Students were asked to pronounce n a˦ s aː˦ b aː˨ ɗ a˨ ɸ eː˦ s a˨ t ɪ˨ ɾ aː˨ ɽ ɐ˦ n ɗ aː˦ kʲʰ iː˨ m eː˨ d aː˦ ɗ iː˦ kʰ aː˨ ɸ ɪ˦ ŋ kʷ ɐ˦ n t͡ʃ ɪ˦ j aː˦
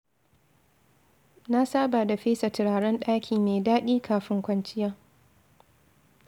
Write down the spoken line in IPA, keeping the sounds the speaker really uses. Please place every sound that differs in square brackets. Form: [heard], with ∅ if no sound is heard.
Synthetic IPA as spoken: n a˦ s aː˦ b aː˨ [d] a˨ ɸ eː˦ s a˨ t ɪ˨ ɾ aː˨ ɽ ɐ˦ n ɗ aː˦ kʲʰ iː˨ m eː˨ d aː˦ ɗ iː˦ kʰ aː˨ ɸ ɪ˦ ŋ kʷ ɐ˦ n t͡ʃ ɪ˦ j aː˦